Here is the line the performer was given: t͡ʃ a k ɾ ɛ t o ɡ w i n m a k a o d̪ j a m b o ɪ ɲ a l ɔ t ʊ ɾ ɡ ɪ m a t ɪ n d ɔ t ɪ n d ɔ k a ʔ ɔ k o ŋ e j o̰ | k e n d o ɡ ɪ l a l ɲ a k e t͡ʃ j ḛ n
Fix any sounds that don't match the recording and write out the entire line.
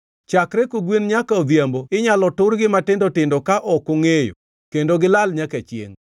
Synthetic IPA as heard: t͡ʃ a k ɾ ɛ k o ɡ w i n ɲ a k a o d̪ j a m b o ɪ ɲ a l ɔ t ʊ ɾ ɡ ɪ m a t ɪ n d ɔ t ɪ n d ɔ k a ʔ ɔ k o ŋ e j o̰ | k e n d o ɡ ɪ l a l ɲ a k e t͡ʃ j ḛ ŋ